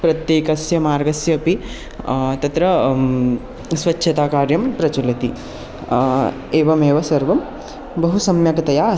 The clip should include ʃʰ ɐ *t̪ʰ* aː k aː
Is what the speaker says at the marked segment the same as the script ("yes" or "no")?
no